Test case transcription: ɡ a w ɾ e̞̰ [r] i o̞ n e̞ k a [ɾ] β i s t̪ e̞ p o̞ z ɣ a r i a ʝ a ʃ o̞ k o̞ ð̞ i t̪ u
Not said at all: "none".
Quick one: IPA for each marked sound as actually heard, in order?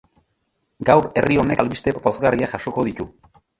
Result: r, l

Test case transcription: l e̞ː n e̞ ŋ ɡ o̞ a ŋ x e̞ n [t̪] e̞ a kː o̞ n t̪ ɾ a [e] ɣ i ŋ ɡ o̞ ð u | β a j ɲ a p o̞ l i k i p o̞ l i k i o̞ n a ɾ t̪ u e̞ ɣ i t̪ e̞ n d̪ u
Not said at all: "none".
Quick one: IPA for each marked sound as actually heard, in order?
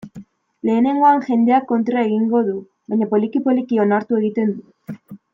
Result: d̪, e

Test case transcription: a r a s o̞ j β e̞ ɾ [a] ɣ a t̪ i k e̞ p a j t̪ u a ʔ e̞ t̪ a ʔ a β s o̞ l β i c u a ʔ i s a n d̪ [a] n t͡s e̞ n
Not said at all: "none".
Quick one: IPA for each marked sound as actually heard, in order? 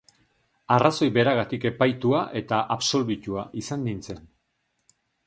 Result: a, i

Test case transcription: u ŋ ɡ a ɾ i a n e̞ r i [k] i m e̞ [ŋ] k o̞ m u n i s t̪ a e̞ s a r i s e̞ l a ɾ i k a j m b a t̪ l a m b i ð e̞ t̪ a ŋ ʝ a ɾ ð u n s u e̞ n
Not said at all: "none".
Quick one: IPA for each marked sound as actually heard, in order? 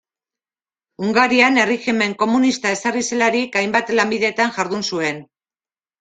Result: x, ŋ

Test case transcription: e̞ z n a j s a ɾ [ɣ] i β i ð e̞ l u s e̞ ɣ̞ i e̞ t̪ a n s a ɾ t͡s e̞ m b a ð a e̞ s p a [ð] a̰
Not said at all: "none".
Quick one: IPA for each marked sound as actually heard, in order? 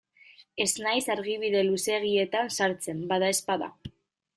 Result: ɣ, ð

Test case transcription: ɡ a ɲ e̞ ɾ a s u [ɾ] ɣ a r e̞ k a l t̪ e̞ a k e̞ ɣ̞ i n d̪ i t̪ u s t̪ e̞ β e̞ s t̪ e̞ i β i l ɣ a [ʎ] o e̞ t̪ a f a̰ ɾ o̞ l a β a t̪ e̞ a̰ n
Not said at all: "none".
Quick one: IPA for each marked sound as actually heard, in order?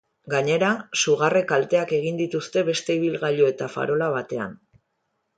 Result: none, ʎ

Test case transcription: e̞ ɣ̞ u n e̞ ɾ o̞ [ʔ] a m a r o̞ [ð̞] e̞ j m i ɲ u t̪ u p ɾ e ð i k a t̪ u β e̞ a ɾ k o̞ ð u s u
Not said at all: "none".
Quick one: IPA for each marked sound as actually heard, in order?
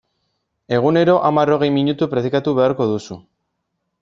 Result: ʔ, ɣ̞

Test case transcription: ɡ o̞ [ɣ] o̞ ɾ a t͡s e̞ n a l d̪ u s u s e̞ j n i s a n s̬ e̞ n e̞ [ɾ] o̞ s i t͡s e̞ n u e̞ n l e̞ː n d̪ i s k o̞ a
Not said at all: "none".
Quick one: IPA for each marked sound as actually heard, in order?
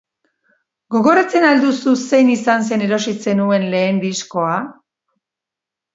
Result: ɣ, ɾ

